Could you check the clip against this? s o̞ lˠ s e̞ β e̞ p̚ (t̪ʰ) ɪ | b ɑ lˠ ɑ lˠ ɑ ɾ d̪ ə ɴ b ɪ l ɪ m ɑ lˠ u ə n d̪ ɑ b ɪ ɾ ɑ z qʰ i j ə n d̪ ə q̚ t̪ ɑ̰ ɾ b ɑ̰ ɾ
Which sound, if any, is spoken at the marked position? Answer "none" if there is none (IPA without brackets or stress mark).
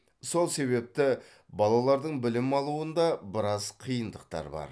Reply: t̪